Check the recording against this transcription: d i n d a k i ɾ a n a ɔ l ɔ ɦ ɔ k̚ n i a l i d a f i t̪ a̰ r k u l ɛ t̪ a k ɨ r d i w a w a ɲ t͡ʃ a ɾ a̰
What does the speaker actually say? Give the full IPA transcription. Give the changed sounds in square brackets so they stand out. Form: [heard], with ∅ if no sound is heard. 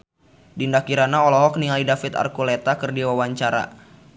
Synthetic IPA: d i n d a k i ɾ a n a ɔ l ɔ ɦ ɔ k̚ n i a l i d a f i t̪ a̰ r k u l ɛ t̪ a k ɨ r d i w a w a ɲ t͡ʃ a ɾ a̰